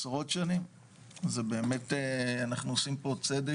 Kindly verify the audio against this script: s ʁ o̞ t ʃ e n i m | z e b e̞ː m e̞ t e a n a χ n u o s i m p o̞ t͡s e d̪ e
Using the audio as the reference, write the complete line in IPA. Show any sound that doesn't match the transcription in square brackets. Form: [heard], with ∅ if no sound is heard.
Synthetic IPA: s ʁ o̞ t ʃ [a] n i m | z e b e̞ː m e̞ t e a n a χ n u o s i m p o̞ t͡s e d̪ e